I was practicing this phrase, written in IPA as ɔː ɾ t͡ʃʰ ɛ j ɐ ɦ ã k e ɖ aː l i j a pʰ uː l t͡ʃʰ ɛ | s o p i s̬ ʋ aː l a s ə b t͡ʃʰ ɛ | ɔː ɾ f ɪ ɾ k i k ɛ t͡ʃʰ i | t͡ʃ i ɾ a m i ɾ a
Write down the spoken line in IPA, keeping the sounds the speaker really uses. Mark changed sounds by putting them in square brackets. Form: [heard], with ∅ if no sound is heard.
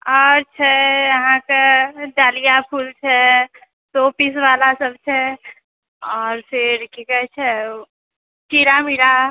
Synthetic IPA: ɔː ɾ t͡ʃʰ ɛ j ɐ ɦ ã k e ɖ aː l i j a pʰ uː l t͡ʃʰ ɛ | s o p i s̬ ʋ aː l a s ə b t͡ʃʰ ɛ | ɔː ɾ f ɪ ɾ k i k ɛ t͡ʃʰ [ɛ] | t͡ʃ i ɾ a m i ɾ a